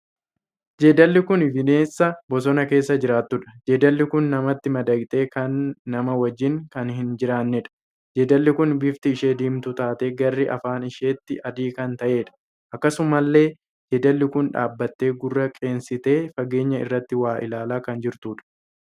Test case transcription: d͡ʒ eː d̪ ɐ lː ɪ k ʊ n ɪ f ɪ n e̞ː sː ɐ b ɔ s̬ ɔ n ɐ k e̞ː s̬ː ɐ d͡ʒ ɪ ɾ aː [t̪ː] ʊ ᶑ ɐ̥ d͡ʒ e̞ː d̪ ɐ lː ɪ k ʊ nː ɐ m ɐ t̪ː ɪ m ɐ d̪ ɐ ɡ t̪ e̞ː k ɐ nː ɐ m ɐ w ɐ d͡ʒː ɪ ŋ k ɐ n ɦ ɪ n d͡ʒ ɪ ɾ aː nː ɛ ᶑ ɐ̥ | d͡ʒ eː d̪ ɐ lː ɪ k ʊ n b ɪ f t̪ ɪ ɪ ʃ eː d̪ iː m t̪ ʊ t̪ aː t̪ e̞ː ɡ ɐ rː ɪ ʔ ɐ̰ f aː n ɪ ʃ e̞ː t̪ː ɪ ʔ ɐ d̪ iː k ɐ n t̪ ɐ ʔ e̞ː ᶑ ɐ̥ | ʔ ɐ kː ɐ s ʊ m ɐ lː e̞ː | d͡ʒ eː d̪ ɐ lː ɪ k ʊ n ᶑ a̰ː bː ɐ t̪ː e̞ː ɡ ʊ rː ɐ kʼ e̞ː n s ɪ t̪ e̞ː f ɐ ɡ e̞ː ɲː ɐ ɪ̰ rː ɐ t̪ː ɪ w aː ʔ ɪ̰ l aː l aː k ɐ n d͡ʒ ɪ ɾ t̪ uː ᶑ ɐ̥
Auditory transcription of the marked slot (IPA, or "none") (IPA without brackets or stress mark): t̪ː